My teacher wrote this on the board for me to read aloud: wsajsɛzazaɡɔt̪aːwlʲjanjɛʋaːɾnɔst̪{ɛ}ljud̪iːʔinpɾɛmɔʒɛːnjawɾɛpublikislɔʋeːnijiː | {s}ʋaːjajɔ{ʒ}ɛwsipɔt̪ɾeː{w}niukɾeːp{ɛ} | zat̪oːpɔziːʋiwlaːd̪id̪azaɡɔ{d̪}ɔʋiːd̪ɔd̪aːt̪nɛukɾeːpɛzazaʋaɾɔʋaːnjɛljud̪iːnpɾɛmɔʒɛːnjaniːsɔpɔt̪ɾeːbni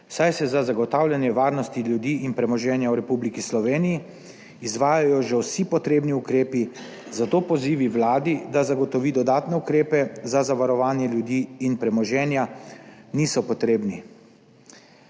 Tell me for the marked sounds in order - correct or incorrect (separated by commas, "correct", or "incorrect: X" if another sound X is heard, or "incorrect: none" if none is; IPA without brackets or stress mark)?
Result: incorrect: i, incorrect: z, correct, incorrect: b, incorrect: i, incorrect: t̪